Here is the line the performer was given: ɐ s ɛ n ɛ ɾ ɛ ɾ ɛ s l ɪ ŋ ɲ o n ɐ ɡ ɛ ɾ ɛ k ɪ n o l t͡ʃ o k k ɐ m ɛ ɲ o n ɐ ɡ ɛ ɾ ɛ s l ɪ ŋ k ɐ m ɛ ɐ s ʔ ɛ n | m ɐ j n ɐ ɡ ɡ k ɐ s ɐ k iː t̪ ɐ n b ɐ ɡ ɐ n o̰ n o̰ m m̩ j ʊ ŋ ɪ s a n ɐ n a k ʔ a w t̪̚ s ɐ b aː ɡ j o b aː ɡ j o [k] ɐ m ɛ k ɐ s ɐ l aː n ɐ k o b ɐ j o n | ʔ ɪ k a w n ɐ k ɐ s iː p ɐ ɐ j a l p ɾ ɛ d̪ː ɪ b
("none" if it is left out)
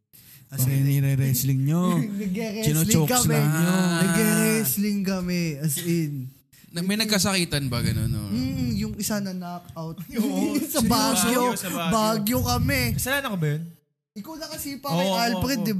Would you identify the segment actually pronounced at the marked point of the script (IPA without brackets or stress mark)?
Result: k